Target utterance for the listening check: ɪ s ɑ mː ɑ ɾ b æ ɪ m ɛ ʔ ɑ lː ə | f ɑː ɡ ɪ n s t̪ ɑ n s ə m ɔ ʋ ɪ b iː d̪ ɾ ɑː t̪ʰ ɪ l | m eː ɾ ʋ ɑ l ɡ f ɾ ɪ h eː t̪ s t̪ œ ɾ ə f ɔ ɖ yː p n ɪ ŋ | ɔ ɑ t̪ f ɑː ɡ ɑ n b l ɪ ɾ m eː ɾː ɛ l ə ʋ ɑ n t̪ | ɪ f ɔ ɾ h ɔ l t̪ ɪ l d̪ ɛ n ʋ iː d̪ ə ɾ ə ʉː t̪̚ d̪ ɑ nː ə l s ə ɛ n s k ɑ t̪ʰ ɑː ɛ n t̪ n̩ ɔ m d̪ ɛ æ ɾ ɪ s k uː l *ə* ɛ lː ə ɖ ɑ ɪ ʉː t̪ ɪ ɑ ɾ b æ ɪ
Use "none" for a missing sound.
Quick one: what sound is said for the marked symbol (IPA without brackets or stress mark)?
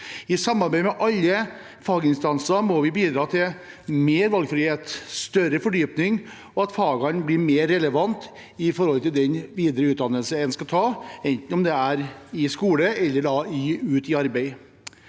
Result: ə